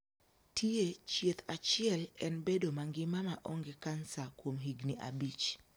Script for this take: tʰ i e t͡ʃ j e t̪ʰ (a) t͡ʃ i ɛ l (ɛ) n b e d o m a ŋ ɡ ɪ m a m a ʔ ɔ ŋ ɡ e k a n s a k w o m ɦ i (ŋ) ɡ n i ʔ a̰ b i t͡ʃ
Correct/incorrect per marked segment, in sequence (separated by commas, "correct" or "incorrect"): correct, correct, incorrect